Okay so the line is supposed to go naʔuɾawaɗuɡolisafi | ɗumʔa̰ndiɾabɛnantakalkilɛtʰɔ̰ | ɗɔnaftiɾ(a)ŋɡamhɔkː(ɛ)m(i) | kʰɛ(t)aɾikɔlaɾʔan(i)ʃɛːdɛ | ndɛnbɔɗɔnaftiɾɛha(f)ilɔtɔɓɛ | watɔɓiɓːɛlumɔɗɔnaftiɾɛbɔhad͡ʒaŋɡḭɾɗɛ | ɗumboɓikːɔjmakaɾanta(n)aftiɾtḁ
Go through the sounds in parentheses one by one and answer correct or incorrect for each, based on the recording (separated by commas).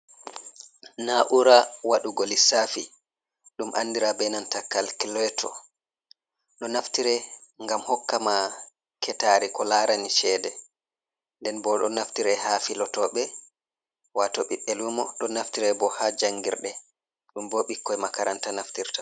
incorrect, incorrect, incorrect, correct, correct, correct, correct